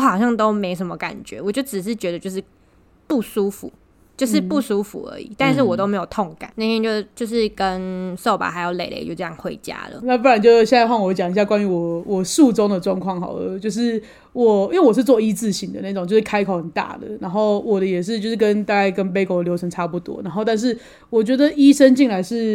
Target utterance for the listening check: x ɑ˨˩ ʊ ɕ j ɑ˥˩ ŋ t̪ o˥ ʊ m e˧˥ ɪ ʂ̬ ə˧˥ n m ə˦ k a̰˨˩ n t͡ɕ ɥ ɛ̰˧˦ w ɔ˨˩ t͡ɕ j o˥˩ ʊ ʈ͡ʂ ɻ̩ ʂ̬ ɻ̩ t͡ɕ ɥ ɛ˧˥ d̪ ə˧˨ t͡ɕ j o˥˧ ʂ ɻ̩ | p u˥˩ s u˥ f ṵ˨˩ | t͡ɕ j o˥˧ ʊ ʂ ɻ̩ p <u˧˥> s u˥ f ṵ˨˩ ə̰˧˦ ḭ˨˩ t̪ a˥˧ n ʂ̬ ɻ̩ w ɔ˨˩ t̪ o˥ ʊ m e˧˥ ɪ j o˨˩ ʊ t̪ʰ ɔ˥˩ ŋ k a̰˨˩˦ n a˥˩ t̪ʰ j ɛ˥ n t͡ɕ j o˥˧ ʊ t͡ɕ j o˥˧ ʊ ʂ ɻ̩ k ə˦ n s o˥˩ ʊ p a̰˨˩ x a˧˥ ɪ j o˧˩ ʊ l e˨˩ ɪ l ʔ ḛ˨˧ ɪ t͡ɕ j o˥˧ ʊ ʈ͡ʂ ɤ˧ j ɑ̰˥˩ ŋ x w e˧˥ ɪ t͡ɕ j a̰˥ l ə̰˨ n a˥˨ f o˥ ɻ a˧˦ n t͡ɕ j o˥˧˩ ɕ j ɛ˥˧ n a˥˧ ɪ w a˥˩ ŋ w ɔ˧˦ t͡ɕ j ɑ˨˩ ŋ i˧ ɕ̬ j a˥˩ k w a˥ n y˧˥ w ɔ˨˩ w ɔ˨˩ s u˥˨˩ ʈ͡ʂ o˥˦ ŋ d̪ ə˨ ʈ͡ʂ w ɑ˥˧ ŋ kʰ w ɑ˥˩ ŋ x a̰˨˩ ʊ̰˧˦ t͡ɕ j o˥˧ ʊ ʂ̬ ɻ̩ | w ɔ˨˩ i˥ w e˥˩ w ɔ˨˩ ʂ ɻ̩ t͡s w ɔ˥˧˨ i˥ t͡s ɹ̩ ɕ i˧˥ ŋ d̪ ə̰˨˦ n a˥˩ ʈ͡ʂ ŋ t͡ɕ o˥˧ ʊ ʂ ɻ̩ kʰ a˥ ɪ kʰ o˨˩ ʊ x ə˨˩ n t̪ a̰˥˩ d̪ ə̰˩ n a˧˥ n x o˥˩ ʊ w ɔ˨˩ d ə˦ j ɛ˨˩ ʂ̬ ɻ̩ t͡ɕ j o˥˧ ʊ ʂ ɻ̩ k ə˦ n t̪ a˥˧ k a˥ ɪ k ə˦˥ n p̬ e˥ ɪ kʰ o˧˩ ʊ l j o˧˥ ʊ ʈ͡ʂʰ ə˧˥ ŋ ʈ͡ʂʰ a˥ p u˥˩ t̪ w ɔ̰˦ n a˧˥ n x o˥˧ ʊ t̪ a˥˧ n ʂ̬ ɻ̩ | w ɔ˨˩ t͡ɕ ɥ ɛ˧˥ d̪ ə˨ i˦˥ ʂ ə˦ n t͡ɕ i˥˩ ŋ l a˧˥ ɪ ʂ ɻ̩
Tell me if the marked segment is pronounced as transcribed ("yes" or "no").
no